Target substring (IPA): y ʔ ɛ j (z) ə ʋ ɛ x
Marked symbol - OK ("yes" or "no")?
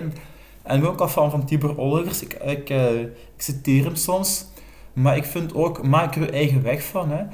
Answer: no